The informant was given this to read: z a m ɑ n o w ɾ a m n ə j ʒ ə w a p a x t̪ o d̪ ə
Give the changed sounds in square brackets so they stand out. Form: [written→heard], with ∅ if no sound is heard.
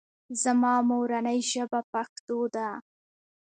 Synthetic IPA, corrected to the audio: z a m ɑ [n→m] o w ɾ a [m→∅] n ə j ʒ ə [w→b] a p a x t̪ o d̪ [ə→a]